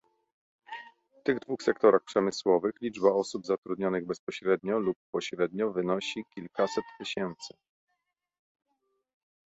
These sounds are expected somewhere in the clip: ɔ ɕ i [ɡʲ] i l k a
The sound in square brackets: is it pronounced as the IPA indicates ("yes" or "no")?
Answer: no